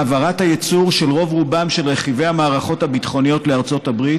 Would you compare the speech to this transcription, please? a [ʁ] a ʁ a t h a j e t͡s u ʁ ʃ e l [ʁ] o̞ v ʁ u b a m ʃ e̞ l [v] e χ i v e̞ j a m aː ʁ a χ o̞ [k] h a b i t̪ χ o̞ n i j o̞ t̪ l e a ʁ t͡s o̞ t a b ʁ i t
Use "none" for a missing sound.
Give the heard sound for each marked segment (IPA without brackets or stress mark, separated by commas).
v, ʁ, ʁ, t